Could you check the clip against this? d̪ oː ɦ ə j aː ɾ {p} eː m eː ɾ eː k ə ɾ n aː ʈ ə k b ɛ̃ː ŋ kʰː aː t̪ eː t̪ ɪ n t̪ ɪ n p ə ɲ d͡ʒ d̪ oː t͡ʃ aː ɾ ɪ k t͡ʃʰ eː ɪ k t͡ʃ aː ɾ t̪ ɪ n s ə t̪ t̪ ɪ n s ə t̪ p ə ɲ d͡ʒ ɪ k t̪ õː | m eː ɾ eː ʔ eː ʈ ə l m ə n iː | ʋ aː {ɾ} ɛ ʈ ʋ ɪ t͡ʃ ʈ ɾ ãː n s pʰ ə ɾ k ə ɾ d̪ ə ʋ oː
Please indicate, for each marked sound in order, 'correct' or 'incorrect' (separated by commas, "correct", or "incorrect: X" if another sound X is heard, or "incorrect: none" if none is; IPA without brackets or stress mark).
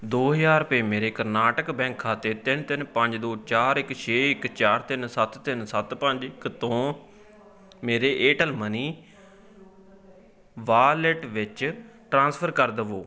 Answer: correct, incorrect: l